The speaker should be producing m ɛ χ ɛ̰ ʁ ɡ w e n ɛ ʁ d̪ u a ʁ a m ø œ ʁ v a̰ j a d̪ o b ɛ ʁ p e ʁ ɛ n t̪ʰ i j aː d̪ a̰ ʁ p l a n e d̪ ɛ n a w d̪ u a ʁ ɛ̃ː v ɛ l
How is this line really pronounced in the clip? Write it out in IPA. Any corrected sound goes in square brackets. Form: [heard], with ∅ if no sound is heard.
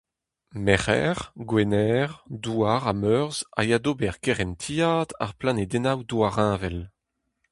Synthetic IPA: m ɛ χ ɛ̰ ʁ ɡ w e n ɛ ʁ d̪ u a ʁ a m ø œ ʁ [z] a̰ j a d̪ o b ɛ ʁ [k] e ʁ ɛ n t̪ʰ i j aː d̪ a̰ ʁ p l a n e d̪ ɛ n a w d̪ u a ʁ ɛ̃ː v ɛ l